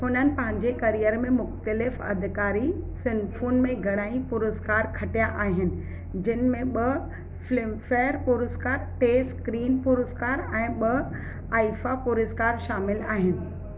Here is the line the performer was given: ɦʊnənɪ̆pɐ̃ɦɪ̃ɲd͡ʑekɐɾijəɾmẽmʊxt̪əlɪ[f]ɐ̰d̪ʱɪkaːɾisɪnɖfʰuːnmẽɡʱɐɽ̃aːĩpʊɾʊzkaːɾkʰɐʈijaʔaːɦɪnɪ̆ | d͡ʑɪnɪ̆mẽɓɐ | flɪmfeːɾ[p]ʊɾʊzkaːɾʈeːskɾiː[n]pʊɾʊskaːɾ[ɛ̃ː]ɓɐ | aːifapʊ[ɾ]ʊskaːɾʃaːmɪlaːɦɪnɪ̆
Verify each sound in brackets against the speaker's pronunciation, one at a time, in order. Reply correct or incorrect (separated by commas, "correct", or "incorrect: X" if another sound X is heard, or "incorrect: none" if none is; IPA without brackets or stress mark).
correct, correct, correct, correct, correct